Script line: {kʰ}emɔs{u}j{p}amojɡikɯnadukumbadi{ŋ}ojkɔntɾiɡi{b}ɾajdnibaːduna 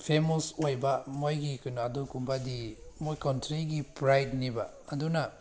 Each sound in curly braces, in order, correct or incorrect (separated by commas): incorrect, incorrect, incorrect, incorrect, incorrect